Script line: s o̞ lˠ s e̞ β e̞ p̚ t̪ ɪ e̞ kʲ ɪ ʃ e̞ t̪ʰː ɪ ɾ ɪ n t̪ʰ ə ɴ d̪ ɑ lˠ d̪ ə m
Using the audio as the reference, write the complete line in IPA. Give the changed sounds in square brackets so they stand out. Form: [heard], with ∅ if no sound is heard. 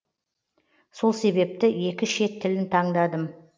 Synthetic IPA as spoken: s o̞ lˠ s e̞ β e̞ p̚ t̪ ɪ e̞ kʲ ɪ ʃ e̞ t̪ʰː ɪ [l] ɪ n t̪ʰ [ɑ] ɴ d̪ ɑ [∅] d̪ ə m